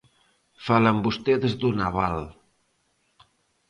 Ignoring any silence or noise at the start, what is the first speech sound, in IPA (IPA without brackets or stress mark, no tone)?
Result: f